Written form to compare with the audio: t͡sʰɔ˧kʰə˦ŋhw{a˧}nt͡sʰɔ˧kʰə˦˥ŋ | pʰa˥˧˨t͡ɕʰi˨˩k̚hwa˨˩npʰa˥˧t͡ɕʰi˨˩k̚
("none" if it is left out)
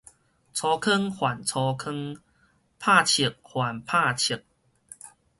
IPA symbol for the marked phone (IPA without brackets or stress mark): a˨˩